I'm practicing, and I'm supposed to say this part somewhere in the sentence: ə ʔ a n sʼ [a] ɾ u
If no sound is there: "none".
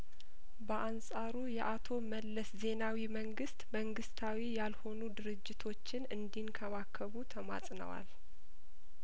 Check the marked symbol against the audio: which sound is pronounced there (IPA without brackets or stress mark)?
a